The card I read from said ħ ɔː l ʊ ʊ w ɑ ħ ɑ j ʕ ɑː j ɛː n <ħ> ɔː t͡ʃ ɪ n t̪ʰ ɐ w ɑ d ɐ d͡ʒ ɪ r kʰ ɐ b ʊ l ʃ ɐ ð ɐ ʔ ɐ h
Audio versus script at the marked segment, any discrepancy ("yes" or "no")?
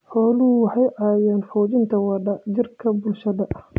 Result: yes